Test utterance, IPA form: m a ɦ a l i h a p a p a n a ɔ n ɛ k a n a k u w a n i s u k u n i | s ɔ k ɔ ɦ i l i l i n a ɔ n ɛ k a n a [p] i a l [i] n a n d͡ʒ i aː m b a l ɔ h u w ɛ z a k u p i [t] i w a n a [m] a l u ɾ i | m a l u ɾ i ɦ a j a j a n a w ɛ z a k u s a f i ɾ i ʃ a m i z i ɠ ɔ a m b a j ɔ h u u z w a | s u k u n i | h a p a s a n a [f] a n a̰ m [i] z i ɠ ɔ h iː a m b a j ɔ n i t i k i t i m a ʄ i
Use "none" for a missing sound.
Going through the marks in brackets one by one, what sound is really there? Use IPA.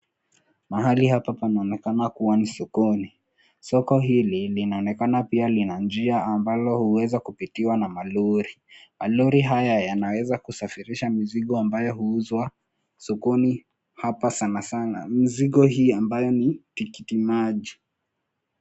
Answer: p, i, t, m, s, i

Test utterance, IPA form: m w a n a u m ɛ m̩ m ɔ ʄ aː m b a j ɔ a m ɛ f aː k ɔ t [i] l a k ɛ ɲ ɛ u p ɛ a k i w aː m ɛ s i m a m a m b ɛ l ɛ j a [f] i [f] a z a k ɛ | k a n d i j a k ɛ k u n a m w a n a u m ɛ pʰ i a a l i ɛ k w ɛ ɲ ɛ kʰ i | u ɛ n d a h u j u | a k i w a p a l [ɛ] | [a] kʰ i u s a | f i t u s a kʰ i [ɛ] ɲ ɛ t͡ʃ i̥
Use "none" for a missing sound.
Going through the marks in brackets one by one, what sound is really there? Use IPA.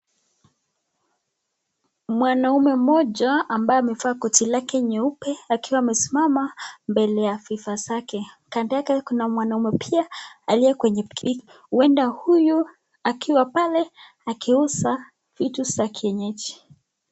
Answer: i, f, f, ɛ, a, ɛ

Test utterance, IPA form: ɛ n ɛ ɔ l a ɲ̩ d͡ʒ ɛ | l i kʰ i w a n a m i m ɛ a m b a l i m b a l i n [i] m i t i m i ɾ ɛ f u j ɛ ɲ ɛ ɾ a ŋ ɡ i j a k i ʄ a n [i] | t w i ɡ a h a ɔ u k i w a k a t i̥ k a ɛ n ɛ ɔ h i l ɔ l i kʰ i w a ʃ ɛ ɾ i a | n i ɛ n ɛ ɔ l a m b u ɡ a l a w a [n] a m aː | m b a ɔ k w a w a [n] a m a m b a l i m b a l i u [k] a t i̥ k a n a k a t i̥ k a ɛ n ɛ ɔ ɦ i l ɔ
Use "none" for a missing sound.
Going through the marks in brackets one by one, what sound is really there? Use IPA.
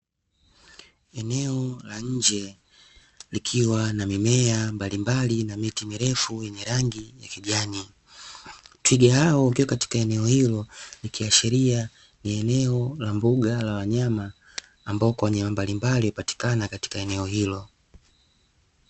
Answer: a, i, ɲ, ɲ, p

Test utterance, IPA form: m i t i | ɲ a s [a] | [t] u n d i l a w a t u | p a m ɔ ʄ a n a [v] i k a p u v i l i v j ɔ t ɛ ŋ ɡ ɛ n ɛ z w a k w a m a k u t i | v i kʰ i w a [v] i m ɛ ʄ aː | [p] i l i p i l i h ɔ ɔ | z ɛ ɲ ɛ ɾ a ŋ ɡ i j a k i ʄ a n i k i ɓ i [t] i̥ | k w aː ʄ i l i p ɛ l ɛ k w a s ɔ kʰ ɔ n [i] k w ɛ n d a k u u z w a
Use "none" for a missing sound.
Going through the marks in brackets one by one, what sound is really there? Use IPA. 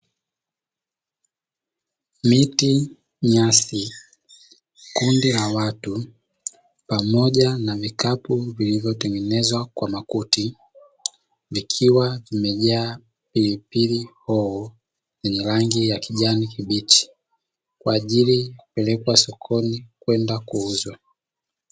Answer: i, k, v, v, p, t͡ʃ, i

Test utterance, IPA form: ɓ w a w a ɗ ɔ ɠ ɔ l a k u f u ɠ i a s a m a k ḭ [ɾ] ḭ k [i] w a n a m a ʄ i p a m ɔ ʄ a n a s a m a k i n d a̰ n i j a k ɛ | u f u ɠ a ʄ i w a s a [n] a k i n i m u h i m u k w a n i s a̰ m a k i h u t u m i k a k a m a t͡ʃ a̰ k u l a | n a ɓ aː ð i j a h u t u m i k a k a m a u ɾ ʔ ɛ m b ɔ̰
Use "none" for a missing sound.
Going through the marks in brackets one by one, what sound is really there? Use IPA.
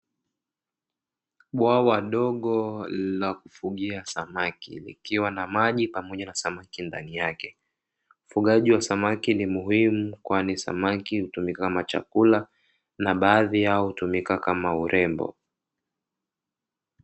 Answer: l, i, m

